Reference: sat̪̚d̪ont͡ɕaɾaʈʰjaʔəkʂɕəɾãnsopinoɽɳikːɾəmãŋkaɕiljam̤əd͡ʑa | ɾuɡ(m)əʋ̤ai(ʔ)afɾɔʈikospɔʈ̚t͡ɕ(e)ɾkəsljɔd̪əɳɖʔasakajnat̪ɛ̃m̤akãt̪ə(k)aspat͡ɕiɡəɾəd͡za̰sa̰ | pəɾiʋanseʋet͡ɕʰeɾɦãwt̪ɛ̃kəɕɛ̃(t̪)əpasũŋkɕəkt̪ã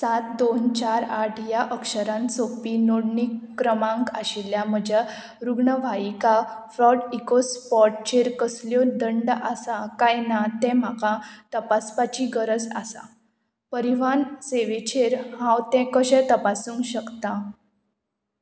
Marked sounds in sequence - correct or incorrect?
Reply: incorrect, incorrect, correct, incorrect, correct

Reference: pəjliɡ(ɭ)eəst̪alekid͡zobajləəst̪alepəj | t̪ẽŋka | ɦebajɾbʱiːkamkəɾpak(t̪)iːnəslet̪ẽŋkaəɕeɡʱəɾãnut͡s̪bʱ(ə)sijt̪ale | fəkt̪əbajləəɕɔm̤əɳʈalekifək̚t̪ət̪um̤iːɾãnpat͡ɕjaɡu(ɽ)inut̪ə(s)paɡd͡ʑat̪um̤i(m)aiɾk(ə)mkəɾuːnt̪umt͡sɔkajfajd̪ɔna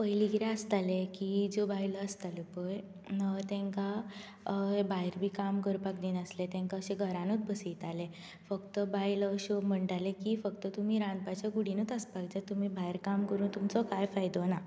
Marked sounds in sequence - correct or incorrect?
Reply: incorrect, incorrect, correct, correct, correct, incorrect, incorrect

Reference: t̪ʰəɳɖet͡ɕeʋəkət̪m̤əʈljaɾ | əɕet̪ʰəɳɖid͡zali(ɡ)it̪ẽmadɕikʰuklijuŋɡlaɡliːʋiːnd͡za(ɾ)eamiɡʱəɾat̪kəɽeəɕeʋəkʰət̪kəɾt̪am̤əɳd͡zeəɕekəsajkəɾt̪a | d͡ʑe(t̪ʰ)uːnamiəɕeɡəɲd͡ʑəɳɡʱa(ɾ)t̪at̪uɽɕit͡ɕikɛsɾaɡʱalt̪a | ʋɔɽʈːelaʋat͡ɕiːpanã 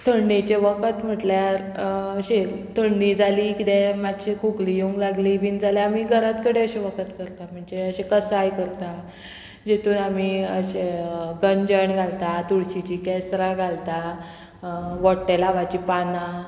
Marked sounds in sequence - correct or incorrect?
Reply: incorrect, incorrect, incorrect, incorrect

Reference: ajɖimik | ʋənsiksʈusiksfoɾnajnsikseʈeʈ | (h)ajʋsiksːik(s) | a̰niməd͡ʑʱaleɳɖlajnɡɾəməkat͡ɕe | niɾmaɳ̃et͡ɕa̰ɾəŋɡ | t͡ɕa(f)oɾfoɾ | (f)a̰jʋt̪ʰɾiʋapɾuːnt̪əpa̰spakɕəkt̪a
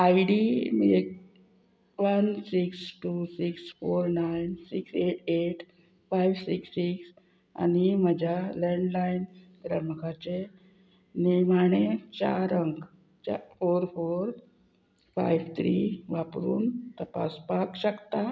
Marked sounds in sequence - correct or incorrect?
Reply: incorrect, correct, correct, correct

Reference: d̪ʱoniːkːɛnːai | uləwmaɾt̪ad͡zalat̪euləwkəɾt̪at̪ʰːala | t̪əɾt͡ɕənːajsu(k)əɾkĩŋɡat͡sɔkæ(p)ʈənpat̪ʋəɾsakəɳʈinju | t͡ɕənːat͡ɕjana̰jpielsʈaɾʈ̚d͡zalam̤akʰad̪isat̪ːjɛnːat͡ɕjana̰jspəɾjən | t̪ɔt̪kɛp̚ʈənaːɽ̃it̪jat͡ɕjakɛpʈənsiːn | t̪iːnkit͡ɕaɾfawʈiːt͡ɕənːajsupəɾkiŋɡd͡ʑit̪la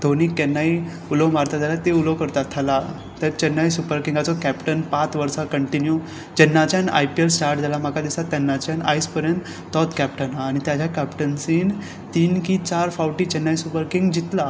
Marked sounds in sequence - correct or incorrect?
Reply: incorrect, correct

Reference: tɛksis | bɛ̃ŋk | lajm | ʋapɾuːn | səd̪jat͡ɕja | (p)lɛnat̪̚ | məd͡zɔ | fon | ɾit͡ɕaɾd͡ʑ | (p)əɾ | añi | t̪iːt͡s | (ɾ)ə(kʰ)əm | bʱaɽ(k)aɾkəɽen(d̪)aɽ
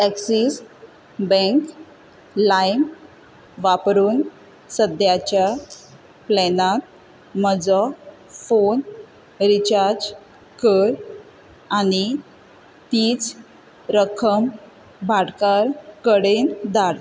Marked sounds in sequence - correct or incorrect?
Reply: correct, incorrect, correct, correct, correct, correct

